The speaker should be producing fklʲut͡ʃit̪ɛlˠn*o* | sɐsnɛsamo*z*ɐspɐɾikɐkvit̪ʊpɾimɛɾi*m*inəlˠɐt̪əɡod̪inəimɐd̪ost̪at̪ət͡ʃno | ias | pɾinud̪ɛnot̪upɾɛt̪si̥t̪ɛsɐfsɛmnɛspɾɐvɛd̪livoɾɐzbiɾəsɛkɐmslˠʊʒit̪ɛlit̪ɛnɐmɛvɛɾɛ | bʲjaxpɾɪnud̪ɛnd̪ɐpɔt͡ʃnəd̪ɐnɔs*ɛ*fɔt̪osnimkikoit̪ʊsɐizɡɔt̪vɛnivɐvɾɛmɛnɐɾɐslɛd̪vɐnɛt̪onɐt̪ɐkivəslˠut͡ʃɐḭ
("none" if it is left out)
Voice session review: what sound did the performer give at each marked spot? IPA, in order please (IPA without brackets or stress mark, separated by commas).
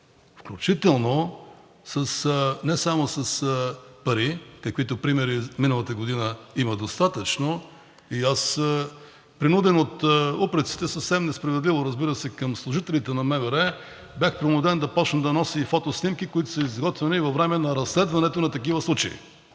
o, s, m, i